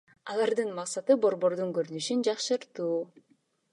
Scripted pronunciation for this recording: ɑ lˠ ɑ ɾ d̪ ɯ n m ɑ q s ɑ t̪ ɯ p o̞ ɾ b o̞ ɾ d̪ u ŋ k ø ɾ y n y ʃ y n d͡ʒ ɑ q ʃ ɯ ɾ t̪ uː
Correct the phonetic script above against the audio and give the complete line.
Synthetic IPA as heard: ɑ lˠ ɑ ɾ d̪ ɯ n m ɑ q s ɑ t̪ ɯ b o̞ ɾ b o̞ ɾ d̪ u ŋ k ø ɾ y n y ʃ y n d͡ʒ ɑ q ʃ ɯ ɾ t̪ uː